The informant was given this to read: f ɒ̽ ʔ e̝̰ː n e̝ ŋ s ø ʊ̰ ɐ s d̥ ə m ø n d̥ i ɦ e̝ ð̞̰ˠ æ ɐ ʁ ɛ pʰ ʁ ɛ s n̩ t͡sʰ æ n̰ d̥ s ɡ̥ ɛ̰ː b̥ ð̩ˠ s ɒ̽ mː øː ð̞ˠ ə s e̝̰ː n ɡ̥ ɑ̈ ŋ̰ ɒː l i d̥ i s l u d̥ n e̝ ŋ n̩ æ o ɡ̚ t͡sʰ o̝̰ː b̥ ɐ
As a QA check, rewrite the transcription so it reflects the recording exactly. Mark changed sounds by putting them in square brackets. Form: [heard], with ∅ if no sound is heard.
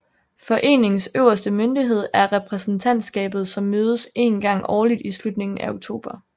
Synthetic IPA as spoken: f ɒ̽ ʔ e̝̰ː n e̝ ŋ s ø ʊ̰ ɐ s d̥ ə m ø n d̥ i ɦ e̝ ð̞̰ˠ æ ɐ ʁ ɛ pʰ ʁ ɛ s n̩ t͡sʰ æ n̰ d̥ s ɡ̥ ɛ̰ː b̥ ð̩ˠ s ɒ̽ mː øː ð̞ˠ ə s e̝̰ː n ɡ̥ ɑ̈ ŋ̰ ɒː l i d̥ i s l u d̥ n e̝ ŋ n̩ æ o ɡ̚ t͡sʰ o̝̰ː b̥ ɐ